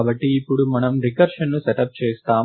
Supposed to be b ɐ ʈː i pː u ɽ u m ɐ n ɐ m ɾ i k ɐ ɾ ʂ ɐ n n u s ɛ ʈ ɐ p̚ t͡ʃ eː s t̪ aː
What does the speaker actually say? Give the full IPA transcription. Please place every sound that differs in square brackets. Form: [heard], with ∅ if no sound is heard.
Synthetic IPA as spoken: b ɐ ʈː [iː] pː u ɽ u m ɐ n ɐ m ɾ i k ɐ ɾ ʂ ɐ n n u s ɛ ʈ ɐ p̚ t͡ʃ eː s t̪ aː